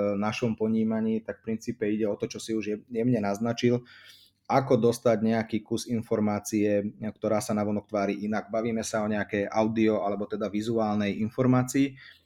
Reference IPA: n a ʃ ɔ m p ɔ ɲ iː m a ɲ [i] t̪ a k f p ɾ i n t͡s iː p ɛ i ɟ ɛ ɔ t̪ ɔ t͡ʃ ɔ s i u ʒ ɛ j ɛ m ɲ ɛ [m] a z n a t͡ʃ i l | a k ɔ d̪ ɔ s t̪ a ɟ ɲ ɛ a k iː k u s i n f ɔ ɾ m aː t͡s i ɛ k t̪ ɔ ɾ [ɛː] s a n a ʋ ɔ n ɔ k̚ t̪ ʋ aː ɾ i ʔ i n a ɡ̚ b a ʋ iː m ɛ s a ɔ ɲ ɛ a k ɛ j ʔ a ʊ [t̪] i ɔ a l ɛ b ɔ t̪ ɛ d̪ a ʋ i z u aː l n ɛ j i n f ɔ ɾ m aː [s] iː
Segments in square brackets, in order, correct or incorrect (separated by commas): incorrect, incorrect, incorrect, incorrect, incorrect